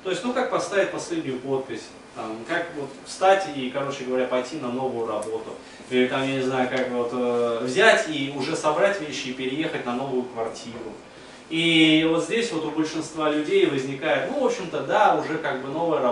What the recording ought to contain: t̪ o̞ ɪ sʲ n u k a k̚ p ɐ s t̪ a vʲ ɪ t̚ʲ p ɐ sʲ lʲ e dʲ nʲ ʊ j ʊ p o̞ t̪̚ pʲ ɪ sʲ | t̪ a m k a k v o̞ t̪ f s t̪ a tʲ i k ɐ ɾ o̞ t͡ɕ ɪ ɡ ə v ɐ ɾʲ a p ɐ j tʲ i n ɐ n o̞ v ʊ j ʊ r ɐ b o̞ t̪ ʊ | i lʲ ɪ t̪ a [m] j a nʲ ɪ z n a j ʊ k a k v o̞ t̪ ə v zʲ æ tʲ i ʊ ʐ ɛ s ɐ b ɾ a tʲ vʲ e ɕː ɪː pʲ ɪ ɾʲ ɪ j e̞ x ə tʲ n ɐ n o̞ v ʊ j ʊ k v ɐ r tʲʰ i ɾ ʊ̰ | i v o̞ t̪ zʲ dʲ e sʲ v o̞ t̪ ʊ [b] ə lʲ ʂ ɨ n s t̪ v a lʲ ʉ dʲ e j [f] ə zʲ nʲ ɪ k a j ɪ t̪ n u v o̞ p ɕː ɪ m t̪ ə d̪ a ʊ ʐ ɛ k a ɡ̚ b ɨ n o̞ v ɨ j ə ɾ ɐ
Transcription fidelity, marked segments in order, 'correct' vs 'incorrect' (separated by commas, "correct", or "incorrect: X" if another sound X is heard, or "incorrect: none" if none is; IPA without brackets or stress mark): correct, correct, incorrect: v